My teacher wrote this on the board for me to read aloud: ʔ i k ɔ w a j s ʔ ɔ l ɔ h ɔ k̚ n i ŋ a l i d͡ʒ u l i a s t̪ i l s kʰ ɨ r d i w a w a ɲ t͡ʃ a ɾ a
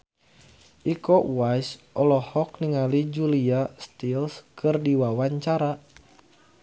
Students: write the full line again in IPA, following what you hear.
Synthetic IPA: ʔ i k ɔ w a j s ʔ ɔ l ɔ h ɔ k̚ n i ŋ a l i d͡ʒ u l i a s t̪ i l s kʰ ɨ r d i w a w a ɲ t͡ʃ a ɾ a